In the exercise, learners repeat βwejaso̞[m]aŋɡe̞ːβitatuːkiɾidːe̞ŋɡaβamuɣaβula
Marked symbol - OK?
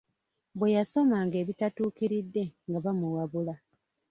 yes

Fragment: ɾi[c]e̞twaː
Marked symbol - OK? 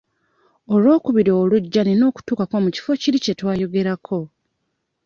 yes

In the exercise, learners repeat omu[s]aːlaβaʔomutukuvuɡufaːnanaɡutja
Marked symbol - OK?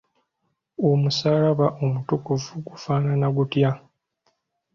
yes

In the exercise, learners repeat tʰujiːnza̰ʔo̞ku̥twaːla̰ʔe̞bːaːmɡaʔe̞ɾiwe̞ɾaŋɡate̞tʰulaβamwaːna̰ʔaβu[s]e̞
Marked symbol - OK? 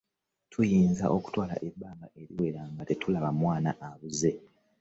no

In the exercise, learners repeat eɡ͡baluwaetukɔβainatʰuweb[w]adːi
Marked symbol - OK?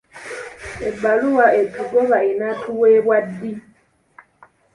yes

